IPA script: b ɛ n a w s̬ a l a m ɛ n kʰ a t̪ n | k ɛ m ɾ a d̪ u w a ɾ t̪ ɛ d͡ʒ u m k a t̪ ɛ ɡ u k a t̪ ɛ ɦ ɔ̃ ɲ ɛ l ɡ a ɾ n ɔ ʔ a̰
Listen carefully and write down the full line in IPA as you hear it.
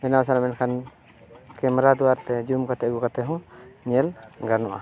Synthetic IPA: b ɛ n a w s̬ a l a m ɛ n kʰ a n | k ɛ m ɾ a d̪ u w a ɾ t̪ ɛ d͡ʒ u m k a t̪ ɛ ɡ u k a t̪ ɛ ɦ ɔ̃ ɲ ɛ l ɡ a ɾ n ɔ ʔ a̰